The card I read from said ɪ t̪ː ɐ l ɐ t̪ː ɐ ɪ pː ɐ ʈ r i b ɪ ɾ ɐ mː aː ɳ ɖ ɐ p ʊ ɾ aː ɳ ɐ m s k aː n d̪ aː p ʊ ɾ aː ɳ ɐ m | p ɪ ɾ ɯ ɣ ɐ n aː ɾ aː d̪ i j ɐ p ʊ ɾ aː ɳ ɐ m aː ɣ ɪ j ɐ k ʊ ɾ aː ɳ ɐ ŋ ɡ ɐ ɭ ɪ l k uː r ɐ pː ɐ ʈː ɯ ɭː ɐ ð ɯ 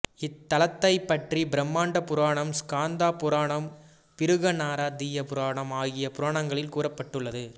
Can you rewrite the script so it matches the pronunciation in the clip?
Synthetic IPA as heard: ɪ t̪ː ɐ l ɐ t̪ː ɐ ɪ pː ɐ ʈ r i b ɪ ɾ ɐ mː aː ɳ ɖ ɐ p ʊ ɾ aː ɳ ɐ m s k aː n d̪ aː p ʊ ɾ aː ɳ ɐ m | p ɪ ɾ ɯ ɣ ɐ n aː ɾ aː d̪ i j ɐ p ʊ ɾ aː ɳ ɐ m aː ɣ ɪ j ɐ p ʊ ɾ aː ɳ ɐ ŋ ɡ ɐ ɭ ɪ l k uː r ɐ pː ɐ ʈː ɯ ɭː ɐ ð ɯ